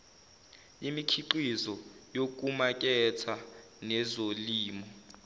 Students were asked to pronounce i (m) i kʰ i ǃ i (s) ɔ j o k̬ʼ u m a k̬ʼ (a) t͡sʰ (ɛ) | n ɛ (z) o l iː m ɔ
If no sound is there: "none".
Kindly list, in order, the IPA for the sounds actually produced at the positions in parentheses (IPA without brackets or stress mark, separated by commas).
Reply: m, z, ɛ, a, z